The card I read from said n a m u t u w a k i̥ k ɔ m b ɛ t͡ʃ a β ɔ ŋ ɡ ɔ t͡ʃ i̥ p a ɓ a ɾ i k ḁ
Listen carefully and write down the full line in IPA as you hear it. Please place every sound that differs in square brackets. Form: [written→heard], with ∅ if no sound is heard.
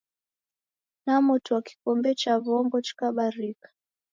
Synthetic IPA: n a m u t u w a k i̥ k ɔ m b ɛ t͡ʃ a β ɔ ŋ ɡ ɔ t͡ʃ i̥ [p→k] a ɓ a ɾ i k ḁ